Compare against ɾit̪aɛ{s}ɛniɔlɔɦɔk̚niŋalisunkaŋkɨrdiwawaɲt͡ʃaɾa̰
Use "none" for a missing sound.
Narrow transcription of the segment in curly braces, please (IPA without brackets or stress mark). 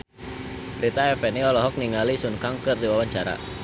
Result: f